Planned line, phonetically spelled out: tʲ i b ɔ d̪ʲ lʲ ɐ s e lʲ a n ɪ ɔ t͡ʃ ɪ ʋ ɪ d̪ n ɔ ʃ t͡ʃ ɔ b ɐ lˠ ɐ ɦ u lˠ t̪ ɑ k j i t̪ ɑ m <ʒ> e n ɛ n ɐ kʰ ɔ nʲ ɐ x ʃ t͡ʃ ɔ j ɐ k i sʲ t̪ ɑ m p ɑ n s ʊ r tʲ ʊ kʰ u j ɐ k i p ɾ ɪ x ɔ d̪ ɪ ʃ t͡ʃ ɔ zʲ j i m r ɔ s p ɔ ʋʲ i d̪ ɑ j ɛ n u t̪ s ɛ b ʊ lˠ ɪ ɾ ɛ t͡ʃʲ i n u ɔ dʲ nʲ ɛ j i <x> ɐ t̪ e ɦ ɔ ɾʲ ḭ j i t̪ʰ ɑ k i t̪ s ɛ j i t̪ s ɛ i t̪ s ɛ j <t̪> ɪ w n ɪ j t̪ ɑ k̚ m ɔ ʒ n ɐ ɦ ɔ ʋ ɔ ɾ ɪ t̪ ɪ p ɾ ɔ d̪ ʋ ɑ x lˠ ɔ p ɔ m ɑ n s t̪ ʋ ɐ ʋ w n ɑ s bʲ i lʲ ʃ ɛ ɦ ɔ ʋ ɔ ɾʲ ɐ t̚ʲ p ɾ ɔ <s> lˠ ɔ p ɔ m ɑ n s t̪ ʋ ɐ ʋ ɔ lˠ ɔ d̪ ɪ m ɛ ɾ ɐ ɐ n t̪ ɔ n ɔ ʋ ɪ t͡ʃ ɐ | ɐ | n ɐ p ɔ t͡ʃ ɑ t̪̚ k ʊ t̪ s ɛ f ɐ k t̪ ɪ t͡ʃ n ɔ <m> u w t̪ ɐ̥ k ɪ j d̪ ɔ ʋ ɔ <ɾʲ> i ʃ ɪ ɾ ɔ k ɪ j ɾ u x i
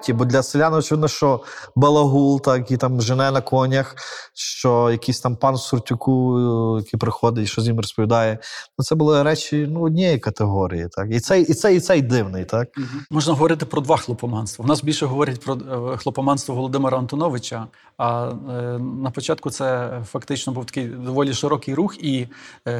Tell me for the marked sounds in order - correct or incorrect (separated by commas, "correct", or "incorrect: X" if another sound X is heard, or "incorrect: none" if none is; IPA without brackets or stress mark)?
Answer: correct, incorrect: k, incorrect: d̪, incorrect: x, incorrect: b, incorrect: lʲ